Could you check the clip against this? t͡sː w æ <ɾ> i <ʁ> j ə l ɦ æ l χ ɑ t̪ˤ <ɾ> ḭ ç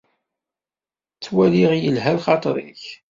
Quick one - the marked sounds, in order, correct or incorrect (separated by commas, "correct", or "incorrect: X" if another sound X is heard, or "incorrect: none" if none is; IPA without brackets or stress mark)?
incorrect: l, correct, correct